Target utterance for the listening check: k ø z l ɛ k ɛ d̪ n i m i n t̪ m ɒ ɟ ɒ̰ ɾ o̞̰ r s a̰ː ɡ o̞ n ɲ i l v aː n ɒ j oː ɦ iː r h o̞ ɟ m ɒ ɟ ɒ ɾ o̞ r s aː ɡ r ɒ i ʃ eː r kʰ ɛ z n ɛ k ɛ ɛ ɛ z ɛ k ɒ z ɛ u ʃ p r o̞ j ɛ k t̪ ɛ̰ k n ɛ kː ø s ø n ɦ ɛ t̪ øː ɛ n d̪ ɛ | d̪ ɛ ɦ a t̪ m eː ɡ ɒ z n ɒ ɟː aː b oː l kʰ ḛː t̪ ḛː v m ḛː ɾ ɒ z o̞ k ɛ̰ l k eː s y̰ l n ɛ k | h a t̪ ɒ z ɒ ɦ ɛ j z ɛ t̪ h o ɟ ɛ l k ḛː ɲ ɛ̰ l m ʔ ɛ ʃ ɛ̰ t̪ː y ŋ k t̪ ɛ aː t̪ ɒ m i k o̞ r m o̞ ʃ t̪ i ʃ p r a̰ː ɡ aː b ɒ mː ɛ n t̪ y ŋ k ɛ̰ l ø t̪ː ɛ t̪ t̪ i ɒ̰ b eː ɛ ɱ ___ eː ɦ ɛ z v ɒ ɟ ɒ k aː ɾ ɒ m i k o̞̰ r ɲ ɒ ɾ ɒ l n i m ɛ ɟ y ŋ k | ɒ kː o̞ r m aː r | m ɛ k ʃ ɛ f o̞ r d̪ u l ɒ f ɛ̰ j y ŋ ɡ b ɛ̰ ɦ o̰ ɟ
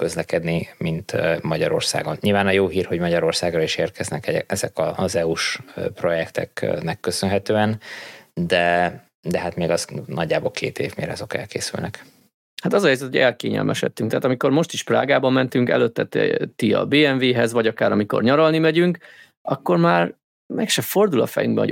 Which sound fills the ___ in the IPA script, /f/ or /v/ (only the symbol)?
v